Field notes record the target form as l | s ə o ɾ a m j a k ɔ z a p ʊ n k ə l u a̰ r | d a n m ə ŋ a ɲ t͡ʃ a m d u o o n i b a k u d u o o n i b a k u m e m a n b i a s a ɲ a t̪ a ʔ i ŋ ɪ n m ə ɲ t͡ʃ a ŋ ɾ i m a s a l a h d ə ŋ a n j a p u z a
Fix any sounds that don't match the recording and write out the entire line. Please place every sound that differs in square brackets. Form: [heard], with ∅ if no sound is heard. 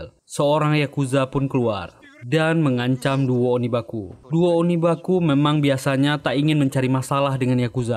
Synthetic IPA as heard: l | s ə o ɾ a [ŋ] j a k [u] z a p ʊ n k ə l u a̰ r | d a n m ə ŋ a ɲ t͡ʃ a m d u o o n i b a k u d u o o n i b a k u m e m a [ŋ] b i a s a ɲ a t̪ a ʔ i ŋ ɪ n m ə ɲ t͡ʃ a [∅] ɾ i m a s a l a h d ə ŋ a n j a [k] u z a